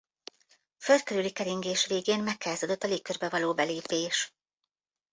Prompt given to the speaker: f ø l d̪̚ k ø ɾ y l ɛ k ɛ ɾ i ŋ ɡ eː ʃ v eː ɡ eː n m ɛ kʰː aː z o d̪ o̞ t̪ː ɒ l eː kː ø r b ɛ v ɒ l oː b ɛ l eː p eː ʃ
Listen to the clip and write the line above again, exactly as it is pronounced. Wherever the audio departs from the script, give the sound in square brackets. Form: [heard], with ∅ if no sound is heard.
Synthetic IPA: f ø l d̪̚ k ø ɾ y l [i] k ɛ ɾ i ŋ ɡ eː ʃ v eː ɡ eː n m ɛ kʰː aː z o d̪ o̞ t̪ː ɒ l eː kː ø r b ɛ v ɒ l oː b ɛ l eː p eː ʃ